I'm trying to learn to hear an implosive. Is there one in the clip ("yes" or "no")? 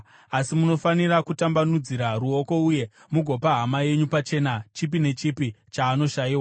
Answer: no